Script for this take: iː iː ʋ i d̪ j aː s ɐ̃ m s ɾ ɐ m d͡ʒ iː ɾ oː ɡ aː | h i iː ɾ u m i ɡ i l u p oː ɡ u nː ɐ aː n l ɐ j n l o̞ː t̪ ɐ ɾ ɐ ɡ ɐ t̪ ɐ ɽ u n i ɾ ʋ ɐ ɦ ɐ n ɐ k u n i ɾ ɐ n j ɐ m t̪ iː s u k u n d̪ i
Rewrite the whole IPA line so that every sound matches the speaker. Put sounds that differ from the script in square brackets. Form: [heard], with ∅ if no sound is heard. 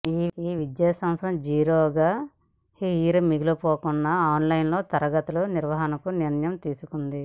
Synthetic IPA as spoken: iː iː ʋ i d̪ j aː s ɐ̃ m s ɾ ɐ m d͡ʒ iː ɾ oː ɡ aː | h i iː ɾ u m i ɡ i l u p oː [k] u nː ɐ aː n l ɐ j n l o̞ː t̪ ɐ ɾ ɐ ɡ ɐ t̪ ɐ [l] u n i ɾ ʋ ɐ ɦ ɐ n ɐ k u n i ɾ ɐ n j ɐ m t̪ iː s u k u n d̪ i

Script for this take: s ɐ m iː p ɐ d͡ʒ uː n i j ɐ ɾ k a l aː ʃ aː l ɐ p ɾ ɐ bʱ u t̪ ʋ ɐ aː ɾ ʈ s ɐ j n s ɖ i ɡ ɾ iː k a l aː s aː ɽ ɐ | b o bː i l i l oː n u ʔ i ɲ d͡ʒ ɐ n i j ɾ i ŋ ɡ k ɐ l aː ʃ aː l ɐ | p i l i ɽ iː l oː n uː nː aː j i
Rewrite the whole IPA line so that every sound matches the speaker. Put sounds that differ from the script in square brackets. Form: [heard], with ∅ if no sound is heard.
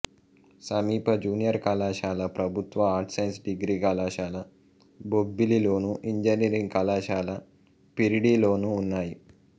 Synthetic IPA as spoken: s ɐ m iː p ɐ d͡ʒ uː n i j ɐ ɾ k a l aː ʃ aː l ɐ p ɾ ɐ bʱ u t̪ ʋ ɐ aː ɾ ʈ s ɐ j n s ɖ i ɡ ɾ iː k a l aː [ʃ] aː [l] ɐ | b o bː i l i l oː n u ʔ i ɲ d͡ʒ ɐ n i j ɾ i ŋ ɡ k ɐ l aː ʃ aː l ɐ | p i [ɾ] i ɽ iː l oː n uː nː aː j i

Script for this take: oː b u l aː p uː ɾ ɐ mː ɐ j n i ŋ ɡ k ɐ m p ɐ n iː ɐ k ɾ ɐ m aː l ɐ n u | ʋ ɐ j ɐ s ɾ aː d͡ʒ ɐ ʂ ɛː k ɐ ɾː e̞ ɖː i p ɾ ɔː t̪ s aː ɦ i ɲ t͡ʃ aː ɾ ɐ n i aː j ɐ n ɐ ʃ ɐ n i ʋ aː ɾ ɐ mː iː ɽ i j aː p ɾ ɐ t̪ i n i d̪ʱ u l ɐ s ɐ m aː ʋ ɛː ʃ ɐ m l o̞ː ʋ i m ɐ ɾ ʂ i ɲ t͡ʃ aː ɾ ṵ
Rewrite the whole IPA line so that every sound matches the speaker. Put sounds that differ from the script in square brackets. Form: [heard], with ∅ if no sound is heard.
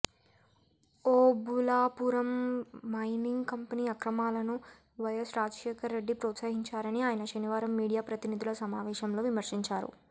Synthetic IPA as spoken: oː b u l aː p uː ɾ ɐ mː ɐ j n i ŋ ɡ k ɐ m p ɐ n iː ɐ k ɾ ɐ m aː l ɐ n u | ʋ ɐ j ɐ s ɾ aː d͡ʒ ɐ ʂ ɛː k ɐ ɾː e̞ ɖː i p ɾ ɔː t̪ s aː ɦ i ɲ t͡ʃ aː ɾ ɐ n i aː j ɐ n ɐ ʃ ɐ n i ʋ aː ɾ ɐ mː iː ɽ i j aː p ɾ ɐ t̪ i n i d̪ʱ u l ɐ s ɐ m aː ʋ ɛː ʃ ɐ m l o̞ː ʋ i m ɐ ɾ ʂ i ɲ t͡ʃ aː ɾ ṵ

